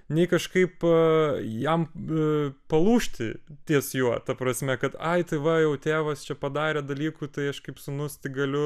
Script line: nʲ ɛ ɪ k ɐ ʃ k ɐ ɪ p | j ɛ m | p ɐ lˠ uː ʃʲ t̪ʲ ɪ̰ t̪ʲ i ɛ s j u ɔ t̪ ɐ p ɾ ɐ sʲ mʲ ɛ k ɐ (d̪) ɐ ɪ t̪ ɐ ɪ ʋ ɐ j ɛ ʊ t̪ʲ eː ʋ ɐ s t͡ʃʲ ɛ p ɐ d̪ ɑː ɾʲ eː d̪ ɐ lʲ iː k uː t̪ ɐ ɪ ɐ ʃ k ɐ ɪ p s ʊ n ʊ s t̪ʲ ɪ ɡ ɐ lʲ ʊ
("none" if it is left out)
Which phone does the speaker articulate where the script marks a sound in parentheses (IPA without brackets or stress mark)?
t̪